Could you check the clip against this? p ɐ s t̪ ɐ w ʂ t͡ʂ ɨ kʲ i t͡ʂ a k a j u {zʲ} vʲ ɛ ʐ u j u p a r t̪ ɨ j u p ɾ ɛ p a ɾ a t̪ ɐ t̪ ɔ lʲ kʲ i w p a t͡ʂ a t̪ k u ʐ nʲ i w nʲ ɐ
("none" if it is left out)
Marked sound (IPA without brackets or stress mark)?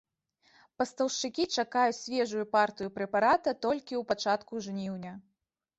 sʲ